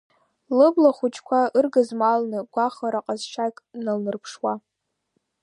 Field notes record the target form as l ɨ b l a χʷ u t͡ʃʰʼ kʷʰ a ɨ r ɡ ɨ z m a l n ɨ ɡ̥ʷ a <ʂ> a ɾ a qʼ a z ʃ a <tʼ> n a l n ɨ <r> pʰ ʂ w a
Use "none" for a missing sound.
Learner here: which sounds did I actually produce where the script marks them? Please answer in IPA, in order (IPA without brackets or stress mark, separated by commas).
χ, kʼ, r